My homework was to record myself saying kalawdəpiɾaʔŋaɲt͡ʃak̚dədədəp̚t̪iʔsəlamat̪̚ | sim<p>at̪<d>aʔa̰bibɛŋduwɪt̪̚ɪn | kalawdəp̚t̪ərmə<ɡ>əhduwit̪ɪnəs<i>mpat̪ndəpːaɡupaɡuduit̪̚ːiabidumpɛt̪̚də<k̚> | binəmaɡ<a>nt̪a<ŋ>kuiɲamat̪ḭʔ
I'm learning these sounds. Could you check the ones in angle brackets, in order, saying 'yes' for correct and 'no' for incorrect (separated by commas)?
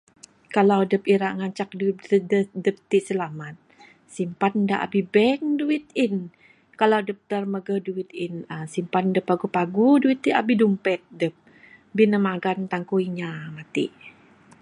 yes, yes, yes, yes, no, yes, yes